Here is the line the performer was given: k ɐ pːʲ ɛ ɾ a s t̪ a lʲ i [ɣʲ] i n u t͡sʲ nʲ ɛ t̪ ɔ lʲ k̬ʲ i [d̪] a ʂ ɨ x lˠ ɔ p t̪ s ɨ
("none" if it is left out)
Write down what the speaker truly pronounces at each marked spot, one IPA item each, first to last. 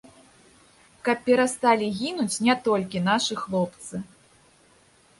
ɣʲ, n̪

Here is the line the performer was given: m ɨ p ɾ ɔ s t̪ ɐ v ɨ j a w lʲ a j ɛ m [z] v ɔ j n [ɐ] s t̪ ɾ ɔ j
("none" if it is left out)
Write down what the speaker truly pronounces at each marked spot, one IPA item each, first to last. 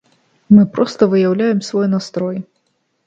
s, a

